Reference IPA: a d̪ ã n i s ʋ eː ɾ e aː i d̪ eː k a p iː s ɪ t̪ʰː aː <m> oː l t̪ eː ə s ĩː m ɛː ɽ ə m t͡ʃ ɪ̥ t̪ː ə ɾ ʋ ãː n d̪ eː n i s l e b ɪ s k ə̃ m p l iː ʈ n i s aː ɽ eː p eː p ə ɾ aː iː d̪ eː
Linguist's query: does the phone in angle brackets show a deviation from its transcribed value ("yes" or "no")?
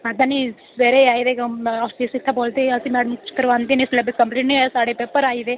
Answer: yes